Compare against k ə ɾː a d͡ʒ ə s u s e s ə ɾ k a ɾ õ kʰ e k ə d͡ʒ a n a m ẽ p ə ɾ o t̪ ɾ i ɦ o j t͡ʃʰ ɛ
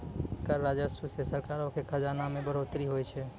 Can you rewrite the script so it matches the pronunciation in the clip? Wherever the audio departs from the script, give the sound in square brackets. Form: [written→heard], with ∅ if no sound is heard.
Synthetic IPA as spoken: k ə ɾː a d͡ʒ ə s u s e s ə ɾ k a ɾ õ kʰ e [k→kʰ] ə d͡ʒ a n a m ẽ [p→b] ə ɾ o t̪ ɾ i ɦ o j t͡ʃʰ ɛ